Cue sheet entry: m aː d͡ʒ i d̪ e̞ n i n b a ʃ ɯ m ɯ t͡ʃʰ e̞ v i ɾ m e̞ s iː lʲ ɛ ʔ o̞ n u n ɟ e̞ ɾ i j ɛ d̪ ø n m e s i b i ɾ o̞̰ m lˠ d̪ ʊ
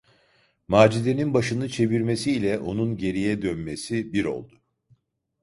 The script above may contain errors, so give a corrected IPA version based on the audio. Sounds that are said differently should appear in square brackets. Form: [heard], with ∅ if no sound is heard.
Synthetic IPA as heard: m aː d͡ʒ i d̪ e̞ n i n b a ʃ ɯ [n] ɯ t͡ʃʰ e̞ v i ɾ m e̞ s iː lʲ ɛ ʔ o̞ n u n ɟ e̞ ɾ i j ɛ d̪ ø n m e s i b i ɾ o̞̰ [∅] lˠ d̪ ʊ